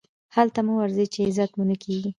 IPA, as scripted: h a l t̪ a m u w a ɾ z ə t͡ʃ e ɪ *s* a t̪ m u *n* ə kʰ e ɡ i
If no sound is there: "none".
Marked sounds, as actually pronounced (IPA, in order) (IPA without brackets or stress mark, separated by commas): z, n